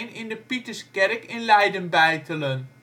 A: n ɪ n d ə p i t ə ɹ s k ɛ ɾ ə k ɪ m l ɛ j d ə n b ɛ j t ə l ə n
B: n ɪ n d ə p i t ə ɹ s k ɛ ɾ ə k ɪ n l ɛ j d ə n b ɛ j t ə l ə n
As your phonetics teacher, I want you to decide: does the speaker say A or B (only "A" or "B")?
B